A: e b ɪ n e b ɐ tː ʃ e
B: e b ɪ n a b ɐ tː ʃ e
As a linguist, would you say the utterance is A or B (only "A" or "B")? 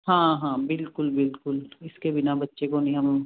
B